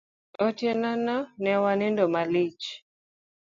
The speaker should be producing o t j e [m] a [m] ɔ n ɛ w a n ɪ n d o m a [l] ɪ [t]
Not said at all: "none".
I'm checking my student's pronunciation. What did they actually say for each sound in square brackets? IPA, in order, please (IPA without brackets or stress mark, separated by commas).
n, n, l, t͡ʃ